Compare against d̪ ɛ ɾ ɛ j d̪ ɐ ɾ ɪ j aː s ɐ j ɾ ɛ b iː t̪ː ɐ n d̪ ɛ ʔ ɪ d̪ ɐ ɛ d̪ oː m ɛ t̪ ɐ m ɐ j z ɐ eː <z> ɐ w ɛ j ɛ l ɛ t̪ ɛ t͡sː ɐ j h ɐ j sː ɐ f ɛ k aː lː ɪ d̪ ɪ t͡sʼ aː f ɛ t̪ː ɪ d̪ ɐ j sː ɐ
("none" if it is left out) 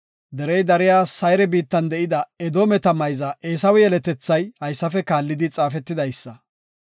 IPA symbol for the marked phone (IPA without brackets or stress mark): s